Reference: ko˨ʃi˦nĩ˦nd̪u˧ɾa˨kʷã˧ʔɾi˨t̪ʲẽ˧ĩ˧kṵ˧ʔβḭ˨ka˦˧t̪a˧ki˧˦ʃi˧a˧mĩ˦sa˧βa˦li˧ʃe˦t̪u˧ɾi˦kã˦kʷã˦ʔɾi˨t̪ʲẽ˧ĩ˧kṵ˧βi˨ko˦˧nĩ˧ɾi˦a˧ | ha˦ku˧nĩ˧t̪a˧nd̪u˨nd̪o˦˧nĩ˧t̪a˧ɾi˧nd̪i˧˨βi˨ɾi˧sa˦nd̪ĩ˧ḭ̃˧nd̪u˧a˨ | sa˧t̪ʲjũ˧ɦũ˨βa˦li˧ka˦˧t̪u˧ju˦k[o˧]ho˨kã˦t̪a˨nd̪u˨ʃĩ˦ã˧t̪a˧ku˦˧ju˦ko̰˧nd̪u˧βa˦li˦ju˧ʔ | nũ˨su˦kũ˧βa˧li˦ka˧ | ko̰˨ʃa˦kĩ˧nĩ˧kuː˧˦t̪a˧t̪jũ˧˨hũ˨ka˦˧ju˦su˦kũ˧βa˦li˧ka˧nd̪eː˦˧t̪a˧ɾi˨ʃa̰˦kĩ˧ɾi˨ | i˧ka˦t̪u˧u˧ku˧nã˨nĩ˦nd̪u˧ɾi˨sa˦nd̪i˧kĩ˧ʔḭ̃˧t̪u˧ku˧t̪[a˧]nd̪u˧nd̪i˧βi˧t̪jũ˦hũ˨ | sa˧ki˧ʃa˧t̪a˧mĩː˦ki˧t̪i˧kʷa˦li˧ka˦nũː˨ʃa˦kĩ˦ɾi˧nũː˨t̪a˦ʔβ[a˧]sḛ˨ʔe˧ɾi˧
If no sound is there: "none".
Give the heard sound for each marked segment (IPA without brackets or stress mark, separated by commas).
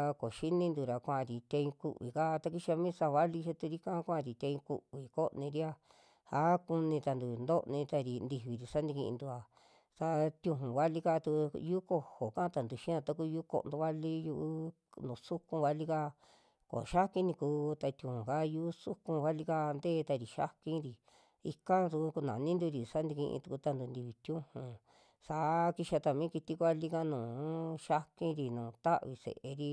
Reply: o˧, a˧, i˧